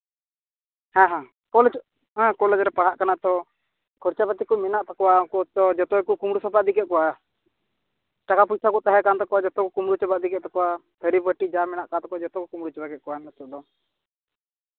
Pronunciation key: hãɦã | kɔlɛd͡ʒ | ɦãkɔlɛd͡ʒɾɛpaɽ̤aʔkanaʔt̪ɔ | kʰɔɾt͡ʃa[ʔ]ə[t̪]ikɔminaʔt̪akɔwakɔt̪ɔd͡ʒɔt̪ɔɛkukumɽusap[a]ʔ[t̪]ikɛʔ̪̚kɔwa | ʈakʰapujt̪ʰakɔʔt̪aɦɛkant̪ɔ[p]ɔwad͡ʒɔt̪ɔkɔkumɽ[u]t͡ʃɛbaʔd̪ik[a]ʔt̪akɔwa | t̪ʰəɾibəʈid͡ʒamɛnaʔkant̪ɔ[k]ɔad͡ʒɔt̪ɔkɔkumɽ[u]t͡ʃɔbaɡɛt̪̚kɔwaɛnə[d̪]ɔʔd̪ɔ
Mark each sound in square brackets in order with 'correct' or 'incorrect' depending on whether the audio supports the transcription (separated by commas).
incorrect, correct, correct, incorrect, incorrect, correct, incorrect, correct, correct, incorrect